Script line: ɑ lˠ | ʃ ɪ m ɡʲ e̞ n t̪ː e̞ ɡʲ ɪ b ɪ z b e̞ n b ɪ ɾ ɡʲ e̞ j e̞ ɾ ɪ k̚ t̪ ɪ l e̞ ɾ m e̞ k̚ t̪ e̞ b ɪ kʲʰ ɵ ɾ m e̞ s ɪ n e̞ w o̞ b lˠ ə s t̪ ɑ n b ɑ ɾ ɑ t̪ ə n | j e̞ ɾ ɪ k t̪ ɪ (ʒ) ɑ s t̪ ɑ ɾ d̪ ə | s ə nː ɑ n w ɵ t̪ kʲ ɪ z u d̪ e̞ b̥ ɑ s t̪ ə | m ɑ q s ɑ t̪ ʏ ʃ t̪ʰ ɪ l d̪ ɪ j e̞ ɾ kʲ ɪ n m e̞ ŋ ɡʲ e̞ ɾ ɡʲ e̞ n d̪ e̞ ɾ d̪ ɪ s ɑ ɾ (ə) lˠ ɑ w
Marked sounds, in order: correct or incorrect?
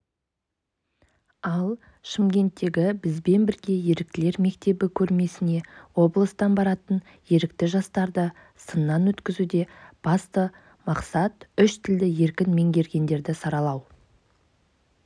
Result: correct, incorrect

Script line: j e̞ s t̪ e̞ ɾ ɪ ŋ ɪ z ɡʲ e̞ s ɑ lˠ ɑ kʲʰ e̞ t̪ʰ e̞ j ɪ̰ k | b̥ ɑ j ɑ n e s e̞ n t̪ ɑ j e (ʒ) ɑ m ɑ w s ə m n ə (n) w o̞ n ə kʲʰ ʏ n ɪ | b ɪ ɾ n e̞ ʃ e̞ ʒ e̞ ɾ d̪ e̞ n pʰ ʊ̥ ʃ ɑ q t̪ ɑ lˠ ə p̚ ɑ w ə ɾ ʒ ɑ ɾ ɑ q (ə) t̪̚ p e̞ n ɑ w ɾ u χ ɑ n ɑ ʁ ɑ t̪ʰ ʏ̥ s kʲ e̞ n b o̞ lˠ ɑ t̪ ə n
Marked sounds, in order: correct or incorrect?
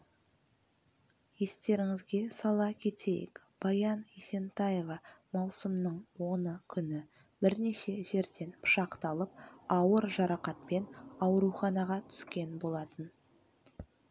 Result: incorrect, incorrect, incorrect

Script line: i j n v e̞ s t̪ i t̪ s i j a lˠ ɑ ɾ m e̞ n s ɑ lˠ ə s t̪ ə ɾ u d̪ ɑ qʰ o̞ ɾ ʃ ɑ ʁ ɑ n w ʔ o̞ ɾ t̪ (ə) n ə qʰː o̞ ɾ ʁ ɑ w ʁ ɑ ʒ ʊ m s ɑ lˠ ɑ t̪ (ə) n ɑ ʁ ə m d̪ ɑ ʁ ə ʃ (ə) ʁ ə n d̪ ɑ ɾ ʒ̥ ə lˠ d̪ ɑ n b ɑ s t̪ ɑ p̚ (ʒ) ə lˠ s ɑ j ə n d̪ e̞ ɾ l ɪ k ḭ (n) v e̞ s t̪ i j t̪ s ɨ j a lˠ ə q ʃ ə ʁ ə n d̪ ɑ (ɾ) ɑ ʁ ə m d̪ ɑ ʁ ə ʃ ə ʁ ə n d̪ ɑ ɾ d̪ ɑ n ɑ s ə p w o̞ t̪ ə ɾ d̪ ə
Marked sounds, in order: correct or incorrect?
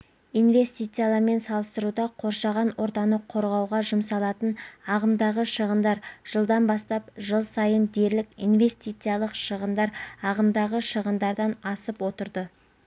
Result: incorrect, correct, correct, correct, correct, correct

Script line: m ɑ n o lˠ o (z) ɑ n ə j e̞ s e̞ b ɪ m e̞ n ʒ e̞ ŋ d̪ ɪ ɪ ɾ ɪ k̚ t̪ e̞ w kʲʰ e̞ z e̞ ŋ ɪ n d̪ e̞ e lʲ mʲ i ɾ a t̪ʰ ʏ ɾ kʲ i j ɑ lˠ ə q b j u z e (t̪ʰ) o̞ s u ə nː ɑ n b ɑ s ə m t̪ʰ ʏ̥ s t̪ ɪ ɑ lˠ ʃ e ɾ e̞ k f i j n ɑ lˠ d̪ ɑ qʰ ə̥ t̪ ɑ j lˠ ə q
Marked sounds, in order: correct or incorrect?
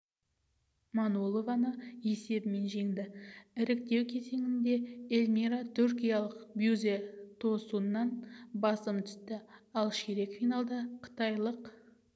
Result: incorrect, correct

